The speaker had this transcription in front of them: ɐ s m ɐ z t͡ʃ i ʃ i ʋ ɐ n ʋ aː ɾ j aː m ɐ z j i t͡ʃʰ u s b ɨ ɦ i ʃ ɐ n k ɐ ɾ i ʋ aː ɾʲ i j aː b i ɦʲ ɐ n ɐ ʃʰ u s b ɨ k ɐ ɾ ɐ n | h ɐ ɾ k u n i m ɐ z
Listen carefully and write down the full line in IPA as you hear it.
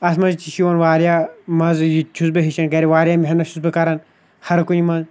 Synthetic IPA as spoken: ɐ s m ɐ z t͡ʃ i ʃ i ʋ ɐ n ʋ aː ɾ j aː m ɐ z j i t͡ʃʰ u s b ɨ ɦ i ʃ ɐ n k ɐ ɾ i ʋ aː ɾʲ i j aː m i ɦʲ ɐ n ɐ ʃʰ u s b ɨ k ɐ ɾ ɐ n | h ɐ ɾ k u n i m ɐ z